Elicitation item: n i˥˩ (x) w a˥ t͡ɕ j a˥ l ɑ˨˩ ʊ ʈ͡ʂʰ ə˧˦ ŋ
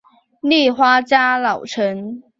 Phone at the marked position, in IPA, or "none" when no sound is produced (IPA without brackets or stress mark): x